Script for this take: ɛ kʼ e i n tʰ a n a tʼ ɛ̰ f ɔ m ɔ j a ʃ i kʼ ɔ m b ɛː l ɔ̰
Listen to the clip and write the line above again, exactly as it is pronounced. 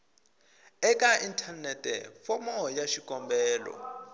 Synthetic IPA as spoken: ɛ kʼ a i n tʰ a n ɛ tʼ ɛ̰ f ɔ m ɔ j a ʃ i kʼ ɔ m b ɛː l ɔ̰